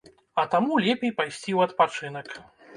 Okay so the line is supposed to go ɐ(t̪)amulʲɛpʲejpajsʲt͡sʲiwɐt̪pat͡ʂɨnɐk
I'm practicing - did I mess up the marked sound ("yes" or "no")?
no